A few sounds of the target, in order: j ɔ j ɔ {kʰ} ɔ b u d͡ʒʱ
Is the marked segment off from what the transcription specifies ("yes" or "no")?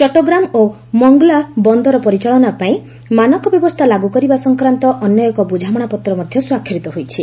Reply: yes